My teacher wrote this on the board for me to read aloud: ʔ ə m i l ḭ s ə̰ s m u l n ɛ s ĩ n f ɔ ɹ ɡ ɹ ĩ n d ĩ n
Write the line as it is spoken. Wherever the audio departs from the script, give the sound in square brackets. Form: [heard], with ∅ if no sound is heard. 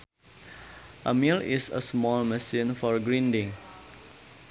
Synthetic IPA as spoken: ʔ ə m i l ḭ s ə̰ s m [ɔ] l [m] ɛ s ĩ n f ɔ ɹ ɡ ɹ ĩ n d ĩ [ŋ]